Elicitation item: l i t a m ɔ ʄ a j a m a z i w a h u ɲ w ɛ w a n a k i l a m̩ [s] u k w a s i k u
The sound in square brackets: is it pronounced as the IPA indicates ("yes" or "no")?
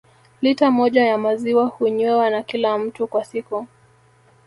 no